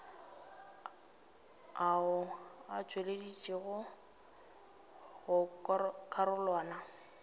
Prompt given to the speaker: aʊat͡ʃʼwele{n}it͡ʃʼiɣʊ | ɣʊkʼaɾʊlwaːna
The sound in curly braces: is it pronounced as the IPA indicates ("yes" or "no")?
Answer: no